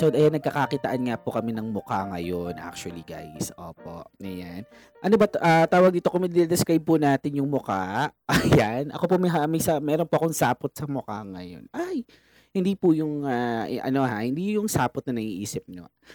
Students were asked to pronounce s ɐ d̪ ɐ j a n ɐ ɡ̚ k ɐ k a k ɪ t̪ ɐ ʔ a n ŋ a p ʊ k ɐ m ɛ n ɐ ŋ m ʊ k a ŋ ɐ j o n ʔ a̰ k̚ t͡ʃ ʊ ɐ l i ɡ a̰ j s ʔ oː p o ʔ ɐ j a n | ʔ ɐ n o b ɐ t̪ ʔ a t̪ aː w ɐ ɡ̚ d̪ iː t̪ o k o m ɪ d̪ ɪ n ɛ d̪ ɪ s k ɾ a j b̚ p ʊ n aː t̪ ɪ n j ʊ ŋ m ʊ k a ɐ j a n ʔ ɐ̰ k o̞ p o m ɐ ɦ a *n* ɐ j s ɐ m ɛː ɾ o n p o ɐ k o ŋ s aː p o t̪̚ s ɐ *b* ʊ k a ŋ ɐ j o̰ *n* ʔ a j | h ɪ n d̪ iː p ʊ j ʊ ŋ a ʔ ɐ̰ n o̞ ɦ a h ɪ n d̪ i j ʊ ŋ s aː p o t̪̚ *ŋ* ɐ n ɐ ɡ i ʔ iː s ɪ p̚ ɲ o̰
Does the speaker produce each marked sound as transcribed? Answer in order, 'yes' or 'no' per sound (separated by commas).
no, no, yes, no